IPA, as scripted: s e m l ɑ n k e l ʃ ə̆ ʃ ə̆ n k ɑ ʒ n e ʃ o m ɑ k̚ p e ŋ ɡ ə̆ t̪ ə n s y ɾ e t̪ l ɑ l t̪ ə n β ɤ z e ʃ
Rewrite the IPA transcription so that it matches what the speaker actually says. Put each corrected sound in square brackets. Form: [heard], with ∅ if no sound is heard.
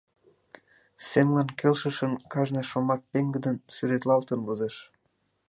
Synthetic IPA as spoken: s e m l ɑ n k e l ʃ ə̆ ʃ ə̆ n k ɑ ʒ n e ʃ o m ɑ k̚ p e ŋ ɡ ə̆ [d̪] ə n s y ɾ e t̪ l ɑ l t̪ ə n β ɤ z e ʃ